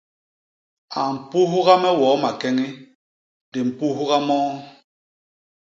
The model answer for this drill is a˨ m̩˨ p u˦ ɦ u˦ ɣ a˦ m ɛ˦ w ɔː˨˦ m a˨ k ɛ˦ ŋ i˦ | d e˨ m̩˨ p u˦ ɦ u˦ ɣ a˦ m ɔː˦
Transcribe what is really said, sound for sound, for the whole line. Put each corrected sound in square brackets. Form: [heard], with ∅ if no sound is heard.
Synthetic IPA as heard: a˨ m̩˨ p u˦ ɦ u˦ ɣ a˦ m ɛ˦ w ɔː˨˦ m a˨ k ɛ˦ ŋ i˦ | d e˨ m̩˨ p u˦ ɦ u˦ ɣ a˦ m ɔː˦